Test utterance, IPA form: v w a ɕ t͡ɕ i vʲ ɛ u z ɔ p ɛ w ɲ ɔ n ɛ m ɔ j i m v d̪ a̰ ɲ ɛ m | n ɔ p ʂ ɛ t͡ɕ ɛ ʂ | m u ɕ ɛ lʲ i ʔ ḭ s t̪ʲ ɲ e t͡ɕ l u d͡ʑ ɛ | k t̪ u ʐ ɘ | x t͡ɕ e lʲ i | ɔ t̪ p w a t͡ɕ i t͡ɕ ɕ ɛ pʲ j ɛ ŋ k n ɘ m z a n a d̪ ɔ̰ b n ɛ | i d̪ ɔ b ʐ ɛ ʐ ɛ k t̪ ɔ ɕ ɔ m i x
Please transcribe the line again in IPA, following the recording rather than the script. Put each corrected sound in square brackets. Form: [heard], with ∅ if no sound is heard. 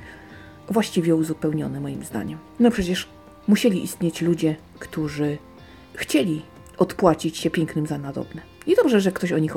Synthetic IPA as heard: v w a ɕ t͡ɕ i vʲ ɛ u z [u] p ɛ w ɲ ɔ n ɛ m ɔ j i m [z] d̪ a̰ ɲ ɛ m | n ɔ p ʂ ɛ t͡ɕ ɛ ʂ | m u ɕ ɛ lʲ i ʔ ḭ s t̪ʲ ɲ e t͡ɕ l u d͡ʑ ɛ | k t̪ u ʐ ɘ | x t͡ɕ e lʲ i | ɔ t̪ p w a t͡ɕ i t͡ɕ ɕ ɛ pʲ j ɛ ŋ k n ɘ m z a n a d̪ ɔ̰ b n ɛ | i d̪ ɔ b ʐ ɛ ʐ ɛ k t̪ ɔ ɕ ɔ [ɲ] i x